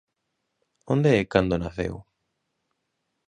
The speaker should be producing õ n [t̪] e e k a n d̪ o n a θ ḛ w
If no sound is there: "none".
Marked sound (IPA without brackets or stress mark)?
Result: d̪